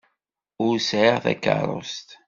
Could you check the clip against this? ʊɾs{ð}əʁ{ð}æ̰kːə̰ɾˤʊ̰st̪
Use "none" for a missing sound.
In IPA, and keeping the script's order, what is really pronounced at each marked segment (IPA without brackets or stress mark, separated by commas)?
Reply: ʕ, θ